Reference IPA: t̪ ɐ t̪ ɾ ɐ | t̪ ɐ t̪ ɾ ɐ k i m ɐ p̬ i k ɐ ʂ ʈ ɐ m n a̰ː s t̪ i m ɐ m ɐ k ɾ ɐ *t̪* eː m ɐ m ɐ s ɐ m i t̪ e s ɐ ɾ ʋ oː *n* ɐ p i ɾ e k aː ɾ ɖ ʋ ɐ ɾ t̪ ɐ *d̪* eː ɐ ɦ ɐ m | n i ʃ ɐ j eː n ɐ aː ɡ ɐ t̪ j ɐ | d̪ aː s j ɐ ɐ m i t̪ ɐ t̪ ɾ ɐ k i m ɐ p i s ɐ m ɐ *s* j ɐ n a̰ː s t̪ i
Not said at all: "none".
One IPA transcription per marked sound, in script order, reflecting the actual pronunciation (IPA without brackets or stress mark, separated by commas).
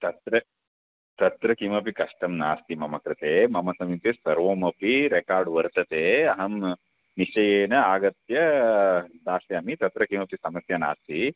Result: t̪, m, t̪, s